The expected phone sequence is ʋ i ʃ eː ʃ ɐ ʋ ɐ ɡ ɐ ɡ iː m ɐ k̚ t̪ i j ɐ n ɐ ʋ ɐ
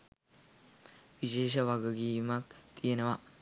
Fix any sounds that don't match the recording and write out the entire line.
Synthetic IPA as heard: ʋ i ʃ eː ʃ ɐ ʋ ɐ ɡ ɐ ɡ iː m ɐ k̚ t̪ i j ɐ n ɐ ʋ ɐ